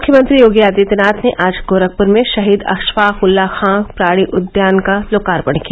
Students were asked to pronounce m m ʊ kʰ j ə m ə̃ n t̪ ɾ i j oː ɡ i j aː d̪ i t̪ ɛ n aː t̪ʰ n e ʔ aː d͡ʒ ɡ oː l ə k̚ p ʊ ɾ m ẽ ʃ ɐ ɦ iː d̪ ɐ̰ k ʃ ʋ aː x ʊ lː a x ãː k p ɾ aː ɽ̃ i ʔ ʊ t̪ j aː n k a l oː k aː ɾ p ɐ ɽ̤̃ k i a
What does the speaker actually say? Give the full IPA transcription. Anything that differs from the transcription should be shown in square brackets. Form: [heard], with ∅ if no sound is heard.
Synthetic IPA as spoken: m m ʊ kʰ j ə m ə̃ n t̪ ɾ i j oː ɡ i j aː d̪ i t̪ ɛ n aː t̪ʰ n e ʔ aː d͡ʒ ɡ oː [ɾ] ə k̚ p ʊ ɾ m ẽ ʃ ɐ ɦ iː d̪ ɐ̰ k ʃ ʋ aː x ʊ lː a x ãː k p ɾ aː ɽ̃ i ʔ ʊ [d̪] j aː n k a l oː k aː ɾ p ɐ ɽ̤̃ k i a